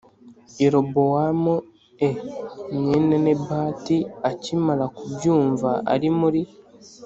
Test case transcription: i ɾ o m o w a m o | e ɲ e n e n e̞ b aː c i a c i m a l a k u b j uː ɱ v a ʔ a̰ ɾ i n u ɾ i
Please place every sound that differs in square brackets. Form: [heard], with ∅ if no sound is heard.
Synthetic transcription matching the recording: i ɾ o [b] o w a m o | e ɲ e n e n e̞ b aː [t] i a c i m a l a k u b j uː ɱ v a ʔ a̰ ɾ i [m] u ɾ i